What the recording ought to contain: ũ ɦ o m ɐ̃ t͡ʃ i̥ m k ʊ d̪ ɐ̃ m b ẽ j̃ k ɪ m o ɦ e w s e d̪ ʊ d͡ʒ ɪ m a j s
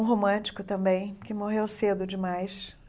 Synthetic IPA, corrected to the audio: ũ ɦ o m ɐ̃ t͡ʃ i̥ k ʊ t̪ ɐ̃ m b ẽ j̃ k ɪ m o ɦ e w s e d̪ ʊ d͡ʒ ɪ m a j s